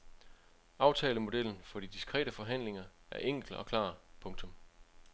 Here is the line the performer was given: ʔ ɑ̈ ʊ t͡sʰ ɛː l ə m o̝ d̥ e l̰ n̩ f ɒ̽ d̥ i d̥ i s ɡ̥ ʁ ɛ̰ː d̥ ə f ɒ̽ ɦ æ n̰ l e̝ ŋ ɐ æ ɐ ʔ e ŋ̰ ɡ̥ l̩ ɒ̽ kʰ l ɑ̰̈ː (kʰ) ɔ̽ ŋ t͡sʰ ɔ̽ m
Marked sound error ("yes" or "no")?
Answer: yes